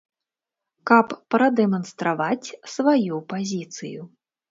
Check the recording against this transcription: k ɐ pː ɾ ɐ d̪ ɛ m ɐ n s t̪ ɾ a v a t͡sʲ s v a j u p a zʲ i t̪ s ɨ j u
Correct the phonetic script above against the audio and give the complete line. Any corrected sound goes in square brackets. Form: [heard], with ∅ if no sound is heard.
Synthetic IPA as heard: k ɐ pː ɾ ɐ d̪ ɛ m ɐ n s t̪ ɾ a v a t͡sʲ s v a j u p a zʲ i t̪ s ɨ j u